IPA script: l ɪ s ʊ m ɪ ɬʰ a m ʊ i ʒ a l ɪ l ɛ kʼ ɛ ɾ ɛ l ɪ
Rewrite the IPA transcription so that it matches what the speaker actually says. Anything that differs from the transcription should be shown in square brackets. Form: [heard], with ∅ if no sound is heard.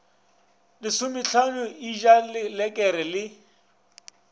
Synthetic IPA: l ɪ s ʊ m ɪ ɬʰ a [n] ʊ i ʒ a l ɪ l ɛ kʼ ɛ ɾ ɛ l ɪ